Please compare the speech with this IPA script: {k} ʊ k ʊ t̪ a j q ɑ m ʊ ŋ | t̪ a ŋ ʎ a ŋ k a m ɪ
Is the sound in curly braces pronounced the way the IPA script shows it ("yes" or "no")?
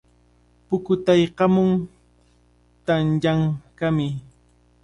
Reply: no